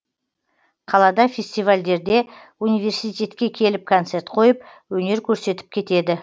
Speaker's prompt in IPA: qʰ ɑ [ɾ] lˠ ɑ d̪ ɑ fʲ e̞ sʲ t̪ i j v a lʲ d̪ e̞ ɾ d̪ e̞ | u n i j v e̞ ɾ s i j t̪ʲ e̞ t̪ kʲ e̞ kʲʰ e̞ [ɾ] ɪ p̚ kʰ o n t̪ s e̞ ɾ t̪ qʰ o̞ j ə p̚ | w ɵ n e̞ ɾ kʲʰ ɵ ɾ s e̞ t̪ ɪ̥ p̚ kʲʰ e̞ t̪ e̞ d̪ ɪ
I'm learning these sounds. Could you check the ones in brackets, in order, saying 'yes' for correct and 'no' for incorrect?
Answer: no, no

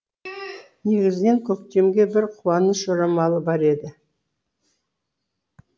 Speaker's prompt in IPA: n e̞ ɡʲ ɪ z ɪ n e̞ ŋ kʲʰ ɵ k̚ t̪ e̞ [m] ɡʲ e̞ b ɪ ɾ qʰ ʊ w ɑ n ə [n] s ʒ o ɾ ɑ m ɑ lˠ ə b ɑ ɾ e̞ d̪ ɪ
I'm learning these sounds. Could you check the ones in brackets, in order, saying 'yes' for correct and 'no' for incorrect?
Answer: yes, no

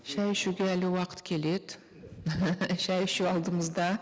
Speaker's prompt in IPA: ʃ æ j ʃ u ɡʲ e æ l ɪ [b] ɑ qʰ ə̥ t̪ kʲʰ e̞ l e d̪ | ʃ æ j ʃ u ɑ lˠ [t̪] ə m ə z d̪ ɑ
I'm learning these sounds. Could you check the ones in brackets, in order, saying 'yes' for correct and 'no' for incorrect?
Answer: no, no

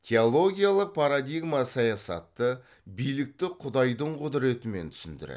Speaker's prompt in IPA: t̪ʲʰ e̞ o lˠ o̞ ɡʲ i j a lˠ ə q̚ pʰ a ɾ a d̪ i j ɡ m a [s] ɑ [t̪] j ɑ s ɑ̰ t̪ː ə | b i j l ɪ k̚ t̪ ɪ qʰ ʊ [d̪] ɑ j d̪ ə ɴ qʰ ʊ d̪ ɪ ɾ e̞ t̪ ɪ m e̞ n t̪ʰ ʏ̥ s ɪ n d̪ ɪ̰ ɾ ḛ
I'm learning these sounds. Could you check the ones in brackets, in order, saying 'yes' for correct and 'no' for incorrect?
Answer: yes, no, yes

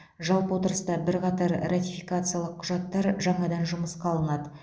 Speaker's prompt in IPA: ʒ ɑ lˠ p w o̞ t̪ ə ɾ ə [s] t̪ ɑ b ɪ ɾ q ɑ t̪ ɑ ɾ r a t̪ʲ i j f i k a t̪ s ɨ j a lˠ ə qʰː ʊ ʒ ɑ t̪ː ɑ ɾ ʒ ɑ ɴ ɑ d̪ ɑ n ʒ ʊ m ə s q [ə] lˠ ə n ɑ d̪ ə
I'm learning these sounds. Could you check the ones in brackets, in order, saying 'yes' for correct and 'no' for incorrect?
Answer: yes, no

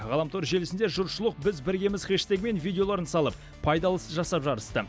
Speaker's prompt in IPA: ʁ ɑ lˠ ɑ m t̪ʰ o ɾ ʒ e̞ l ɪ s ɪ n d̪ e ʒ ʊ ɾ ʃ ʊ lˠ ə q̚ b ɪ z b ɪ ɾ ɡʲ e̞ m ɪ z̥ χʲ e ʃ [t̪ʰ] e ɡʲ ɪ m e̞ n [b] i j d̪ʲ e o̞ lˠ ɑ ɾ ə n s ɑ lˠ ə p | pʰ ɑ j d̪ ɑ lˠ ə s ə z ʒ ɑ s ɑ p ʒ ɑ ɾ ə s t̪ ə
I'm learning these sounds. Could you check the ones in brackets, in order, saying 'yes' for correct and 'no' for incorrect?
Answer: no, no

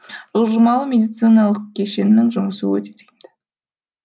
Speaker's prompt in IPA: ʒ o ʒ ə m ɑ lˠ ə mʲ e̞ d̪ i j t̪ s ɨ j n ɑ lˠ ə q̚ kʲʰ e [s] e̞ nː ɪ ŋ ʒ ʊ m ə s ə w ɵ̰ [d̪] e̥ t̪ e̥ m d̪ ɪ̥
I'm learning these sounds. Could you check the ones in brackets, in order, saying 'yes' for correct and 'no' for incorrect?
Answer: no, no

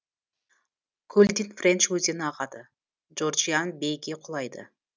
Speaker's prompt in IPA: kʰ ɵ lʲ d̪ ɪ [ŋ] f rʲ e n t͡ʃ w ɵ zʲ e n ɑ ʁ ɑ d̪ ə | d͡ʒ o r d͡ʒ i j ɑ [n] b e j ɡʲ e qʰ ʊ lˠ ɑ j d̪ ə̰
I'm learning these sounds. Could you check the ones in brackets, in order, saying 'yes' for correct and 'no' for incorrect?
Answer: no, yes

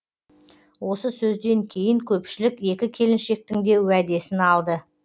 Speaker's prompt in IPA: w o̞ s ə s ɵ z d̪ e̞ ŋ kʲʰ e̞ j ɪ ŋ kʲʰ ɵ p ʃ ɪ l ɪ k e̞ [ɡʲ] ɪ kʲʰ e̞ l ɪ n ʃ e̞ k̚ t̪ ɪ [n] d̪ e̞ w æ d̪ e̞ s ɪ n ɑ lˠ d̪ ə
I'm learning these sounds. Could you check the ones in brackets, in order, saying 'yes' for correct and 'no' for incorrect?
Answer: no, no

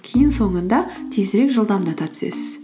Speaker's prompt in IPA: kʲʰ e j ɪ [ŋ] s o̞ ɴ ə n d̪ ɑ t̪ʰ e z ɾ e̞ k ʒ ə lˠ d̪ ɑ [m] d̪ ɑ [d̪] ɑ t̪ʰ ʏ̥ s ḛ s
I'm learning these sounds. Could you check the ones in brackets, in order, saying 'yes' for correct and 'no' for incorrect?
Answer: no, yes, no

